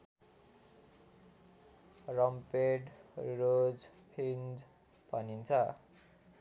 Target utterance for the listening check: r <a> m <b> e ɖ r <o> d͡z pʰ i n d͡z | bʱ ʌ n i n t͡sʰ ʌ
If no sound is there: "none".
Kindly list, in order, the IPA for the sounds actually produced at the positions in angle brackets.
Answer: ʌ, p, o

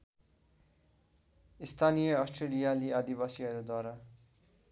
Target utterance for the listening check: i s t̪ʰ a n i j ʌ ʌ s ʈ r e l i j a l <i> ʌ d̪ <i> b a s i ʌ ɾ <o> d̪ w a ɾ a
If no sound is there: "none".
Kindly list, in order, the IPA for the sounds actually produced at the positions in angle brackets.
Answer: i, i, u

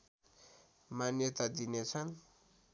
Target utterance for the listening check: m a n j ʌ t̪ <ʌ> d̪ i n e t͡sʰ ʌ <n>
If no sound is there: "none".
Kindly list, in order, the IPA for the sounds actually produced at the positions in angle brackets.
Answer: a, n

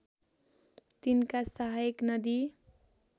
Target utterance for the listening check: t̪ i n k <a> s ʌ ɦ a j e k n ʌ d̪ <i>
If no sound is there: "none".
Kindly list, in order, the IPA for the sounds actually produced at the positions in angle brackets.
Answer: a, i

